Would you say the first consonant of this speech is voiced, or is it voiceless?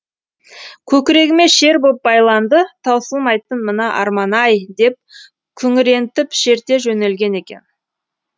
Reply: voiceless